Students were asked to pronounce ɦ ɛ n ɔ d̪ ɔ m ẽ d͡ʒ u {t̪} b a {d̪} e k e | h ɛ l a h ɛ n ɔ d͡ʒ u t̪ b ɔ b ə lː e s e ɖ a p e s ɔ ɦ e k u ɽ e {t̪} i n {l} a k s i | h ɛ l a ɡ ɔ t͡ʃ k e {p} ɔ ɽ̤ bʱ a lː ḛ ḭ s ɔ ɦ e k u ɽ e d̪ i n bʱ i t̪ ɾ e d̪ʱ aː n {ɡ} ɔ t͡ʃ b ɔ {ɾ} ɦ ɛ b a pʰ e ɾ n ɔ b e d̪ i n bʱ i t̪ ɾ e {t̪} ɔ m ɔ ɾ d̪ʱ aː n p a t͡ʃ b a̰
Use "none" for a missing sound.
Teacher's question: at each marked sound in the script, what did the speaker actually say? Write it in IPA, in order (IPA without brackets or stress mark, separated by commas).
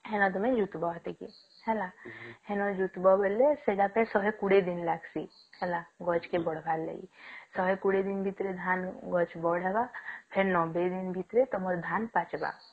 t̪, t̪, d̪, l, b, ɡ, ɽ, t̪